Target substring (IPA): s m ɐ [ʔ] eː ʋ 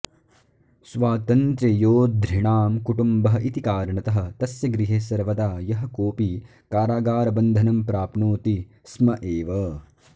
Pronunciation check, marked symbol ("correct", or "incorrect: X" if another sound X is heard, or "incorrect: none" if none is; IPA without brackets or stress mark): correct